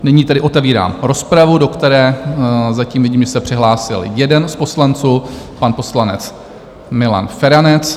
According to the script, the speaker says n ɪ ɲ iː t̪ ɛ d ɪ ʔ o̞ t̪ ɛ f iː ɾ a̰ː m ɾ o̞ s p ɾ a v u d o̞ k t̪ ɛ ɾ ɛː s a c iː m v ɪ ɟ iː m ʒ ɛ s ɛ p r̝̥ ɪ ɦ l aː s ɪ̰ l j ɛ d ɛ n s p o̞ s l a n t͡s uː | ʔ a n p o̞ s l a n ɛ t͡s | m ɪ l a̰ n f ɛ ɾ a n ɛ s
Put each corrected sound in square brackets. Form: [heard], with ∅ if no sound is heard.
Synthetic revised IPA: n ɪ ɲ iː t̪ ɛ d ɪ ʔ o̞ t̪ ɛ [v] iː ɾ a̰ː m ɾ o̞ s p ɾ a v u d o̞ k t̪ ɛ ɾ ɛː [z] a c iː m v ɪ ɟ iː m ʒ ɛ s ɛ p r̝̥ ɪ ɦ l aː s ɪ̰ l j ɛ d ɛ n s p o̞ s l a n t͡s uː | [p] a n p o̞ s l a n ɛ t͡s | m ɪ l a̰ n f ɛ ɾ a n ɛ [t͡s]

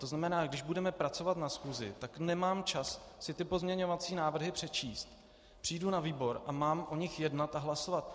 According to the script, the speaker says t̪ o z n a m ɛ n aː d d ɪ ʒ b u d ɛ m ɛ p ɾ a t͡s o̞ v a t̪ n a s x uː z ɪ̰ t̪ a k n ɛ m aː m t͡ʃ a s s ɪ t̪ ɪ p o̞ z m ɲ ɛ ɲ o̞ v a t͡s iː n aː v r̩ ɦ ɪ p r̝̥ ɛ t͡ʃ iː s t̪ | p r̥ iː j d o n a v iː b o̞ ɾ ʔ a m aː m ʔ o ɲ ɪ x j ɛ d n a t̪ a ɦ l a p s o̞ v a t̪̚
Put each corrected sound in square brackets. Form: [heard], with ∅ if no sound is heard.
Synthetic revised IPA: t̪ o z n a m ɛ n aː [ɡ] d ɪ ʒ b u d ɛ m ɛ p ɾ a t͡s o̞ v a t̪ n a s x uː z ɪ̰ t̪ a k n ɛ m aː m t͡ʃ a s s ɪ t̪ ɪ p o̞ z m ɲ ɛ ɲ o̞ v a t͡s iː n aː v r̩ ɦ ɪ p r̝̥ ɛ t͡ʃ iː s t̪ | p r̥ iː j d [u] n a v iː b o̞ ɾ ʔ a m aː m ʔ o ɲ ɪ x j ɛ d n a t̪ a ɦ l a [∅] s o̞ v a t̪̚

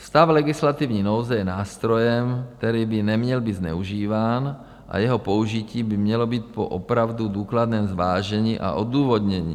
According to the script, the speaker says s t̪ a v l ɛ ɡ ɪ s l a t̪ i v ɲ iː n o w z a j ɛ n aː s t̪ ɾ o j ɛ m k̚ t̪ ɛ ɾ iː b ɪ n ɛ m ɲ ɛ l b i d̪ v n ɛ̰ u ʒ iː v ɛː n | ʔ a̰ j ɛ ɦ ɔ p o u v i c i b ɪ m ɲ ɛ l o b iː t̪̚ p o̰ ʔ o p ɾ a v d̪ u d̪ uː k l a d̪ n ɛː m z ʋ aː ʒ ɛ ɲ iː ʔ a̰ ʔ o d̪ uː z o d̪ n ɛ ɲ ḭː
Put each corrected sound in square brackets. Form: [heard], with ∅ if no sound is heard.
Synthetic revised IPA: s t̪ a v l ɛ ɡ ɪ s l a t̪ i v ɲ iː n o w z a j ɛ n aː s t̪ ɾ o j ɛ m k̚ t̪ ɛ ɾ iː b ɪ n ɛ m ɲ ɛ l b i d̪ [z] n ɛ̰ u ʒ iː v [aː] n | ʔ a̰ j ɛ ɦ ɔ p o u [ʒ] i c [iː] b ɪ m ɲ ɛ l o b iː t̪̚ p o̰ ʔ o p ɾ a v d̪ u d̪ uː k l a d̪ n ɛː m z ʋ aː ʒ ɛ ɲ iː ʔ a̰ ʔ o d̪ uː [v] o d̪ [ɲ] ɛ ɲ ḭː

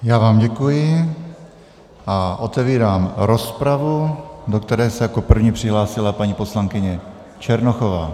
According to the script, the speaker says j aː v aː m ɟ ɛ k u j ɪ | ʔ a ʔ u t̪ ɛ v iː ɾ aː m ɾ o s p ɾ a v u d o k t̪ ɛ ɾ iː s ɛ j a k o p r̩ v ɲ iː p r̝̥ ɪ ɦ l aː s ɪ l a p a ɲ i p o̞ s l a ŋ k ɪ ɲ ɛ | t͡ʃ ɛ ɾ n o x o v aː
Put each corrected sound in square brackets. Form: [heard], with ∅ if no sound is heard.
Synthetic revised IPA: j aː v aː m ɟ ɛ k u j ɪ | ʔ a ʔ [o] t̪ ɛ v iː ɾ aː m ɾ o s p ɾ a v u d o k t̪ ɛ ɾ [ɛː] s ɛ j a k o p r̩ v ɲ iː p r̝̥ ɪ ɦ l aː s ɪ l a p a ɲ i p o̞ s l a ŋ k ɪ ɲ ɛ | t͡ʃ ɛ ɾ n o x o v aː

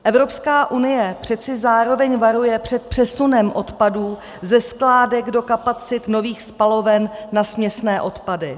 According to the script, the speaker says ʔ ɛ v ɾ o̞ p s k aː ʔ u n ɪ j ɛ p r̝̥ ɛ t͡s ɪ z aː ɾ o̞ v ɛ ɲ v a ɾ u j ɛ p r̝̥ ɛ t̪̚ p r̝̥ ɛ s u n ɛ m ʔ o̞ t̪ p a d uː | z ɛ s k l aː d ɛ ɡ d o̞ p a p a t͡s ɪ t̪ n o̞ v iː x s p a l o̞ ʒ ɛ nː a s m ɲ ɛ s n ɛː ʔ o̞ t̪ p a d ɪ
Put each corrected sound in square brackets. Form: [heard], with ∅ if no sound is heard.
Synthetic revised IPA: ʔ ɛ v ɾ o̞ p s k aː ʔ u n ɪ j ɛ p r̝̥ ɛ t͡s ɪ z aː ɾ o̞ v ɛ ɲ v a ɾ u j ɛ p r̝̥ ɛ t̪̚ p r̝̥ ɛ s u n ɛ m ʔ o̞ t̪ p a d uː | z ɛ s k l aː d ɛ ɡ d o̞ [k] a p a t͡s ɪ t̪ n o̞ v iː x s p a l o̞ [v] ɛ nː a s m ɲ ɛ s n ɛː ʔ o̞ t̪ p a d ɪ

